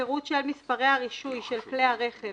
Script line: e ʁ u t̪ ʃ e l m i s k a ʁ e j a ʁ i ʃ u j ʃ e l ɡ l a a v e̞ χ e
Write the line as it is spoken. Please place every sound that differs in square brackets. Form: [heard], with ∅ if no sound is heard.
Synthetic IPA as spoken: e ʁ u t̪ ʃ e l m i s [p] a ʁ e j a ʁ i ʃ u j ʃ e l [k] l [e] a [ʁ] e̞ χ e